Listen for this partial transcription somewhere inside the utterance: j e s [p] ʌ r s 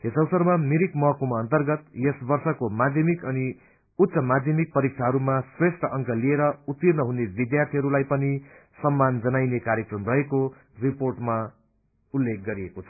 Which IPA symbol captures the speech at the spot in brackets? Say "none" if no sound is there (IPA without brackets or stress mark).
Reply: b